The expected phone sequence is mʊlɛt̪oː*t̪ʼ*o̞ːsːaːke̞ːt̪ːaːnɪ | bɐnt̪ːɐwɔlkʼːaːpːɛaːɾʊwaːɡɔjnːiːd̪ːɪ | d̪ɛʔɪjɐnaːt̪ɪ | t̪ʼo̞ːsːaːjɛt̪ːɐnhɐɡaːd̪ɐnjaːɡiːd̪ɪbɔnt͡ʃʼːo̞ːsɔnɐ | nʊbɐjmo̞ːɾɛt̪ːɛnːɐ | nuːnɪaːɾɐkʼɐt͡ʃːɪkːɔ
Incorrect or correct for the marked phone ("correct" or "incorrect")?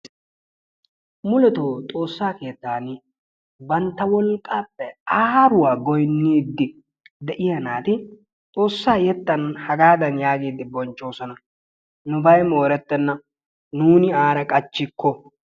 correct